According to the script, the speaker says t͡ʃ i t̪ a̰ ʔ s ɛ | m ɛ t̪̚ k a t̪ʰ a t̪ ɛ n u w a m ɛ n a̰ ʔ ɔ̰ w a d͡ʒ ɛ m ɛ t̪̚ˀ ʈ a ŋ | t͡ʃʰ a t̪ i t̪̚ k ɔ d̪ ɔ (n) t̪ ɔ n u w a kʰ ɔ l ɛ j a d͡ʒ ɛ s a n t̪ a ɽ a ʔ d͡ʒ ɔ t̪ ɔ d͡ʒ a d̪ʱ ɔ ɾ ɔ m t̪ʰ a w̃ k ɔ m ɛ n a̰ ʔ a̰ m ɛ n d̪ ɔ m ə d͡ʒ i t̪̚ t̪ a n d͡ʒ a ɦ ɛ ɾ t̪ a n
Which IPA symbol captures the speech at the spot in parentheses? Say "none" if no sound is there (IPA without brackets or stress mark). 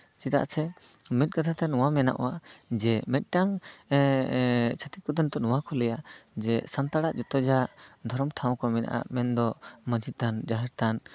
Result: n